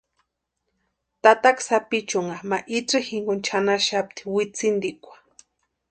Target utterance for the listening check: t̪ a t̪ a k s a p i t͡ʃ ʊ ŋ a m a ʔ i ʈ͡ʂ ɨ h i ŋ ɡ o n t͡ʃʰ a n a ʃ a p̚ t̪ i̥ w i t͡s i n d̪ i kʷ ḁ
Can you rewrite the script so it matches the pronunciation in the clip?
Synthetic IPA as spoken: t̪ a t̪ a k s a p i t͡ʃ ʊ ŋ a m a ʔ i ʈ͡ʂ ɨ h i ŋ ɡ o n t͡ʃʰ a n a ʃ a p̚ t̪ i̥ w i t͡s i n d̪ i kʷ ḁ